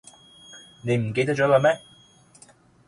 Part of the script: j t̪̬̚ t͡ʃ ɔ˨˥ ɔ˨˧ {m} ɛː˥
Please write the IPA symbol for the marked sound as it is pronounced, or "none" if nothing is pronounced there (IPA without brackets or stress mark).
m